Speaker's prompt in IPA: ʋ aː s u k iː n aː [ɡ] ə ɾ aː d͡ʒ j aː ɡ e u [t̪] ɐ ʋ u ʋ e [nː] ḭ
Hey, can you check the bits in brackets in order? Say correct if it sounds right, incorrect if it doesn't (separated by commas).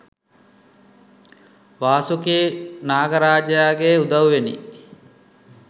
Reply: correct, incorrect, incorrect